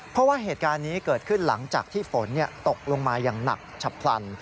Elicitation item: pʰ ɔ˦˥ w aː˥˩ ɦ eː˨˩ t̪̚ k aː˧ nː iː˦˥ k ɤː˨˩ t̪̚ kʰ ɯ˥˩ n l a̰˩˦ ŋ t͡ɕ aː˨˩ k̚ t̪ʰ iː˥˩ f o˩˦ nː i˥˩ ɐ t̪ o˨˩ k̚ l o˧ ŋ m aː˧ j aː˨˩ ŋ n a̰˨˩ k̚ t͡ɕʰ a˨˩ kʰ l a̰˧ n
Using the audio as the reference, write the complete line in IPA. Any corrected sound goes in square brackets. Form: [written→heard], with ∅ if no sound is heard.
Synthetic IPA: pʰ ɔ˦˥ w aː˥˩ ɦ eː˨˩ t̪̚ k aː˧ nː iː˦˥ k ɤː˨˩ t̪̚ kʰ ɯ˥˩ n l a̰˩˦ ŋ t͡ɕ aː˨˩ k̚ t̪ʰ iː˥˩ f o˩˦ nː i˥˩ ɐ t̪ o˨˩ k̚ l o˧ ŋ m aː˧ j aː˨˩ ŋ n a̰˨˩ k̚ t͡ɕʰ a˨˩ [kʰ→pʰ] l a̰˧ n